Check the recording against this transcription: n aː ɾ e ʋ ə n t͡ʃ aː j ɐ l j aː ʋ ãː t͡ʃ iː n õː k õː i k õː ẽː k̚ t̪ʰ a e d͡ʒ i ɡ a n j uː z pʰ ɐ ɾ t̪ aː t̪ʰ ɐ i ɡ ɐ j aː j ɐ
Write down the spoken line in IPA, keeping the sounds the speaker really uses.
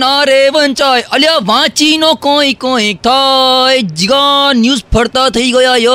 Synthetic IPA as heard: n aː ɾ e ʋ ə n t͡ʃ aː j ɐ l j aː ʋ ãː t͡ʃ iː n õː k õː i k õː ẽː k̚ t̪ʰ a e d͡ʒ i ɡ a n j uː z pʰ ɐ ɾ t̪ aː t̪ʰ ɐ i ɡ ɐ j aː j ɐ